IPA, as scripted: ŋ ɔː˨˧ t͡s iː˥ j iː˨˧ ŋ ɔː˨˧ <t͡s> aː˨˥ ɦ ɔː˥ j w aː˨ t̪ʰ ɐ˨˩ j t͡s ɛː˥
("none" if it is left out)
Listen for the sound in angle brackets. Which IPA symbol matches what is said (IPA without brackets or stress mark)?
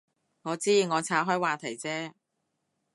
t͡sʰ